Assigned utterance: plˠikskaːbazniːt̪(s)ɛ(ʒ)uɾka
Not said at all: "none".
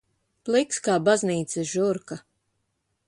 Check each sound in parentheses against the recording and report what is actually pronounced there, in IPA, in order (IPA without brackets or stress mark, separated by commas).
s, ʒ